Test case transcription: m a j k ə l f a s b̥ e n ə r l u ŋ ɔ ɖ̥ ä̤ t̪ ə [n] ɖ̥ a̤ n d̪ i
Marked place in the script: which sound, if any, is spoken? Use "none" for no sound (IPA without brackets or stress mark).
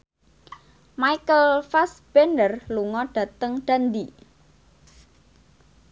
ŋ